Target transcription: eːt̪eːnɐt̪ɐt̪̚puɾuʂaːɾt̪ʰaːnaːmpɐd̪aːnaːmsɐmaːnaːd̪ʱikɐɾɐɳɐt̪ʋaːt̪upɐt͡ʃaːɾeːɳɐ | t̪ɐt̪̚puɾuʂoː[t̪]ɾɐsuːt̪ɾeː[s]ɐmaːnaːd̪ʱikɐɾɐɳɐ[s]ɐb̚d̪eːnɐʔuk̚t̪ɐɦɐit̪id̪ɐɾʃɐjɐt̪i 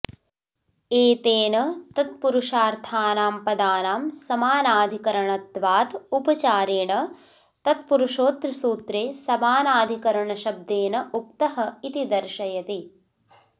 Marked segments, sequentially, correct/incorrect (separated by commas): correct, correct, incorrect